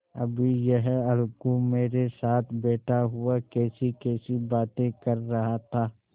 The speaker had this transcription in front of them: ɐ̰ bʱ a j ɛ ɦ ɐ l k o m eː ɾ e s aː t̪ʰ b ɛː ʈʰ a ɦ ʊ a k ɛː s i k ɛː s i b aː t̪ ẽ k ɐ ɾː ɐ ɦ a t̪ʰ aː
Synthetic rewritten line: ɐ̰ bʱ i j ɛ ɦ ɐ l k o m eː ɾ e s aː t̪ʰ b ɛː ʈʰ a ɦ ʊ a k ɛː s i k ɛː s i b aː t̪ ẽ k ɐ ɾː ɐ ɦ a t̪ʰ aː